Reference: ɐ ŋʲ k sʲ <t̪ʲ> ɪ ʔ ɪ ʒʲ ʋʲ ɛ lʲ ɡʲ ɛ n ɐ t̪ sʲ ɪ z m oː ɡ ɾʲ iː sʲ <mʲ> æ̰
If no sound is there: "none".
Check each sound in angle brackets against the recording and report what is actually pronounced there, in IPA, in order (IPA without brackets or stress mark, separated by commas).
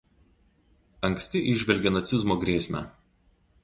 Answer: t̪ʲ, mʲ